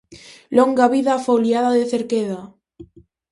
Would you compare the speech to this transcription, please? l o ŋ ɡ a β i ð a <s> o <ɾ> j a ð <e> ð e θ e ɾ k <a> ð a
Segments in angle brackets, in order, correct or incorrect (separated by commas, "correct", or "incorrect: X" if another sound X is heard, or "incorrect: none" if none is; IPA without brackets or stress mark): incorrect: f, incorrect: l, incorrect: a, incorrect: e